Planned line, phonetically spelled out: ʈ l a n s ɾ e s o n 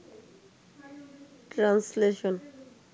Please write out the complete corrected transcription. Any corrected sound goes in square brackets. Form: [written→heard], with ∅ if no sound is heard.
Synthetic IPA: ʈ [l→ɾ] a n s [ɾ→l] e [s→ʃ] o n